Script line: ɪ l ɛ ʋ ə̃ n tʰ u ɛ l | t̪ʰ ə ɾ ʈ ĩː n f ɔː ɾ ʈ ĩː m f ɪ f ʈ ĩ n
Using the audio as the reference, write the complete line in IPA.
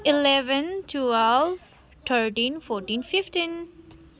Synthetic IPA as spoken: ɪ l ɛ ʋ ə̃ n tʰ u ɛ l | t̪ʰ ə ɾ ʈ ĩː n f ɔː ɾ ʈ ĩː n f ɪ f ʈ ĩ n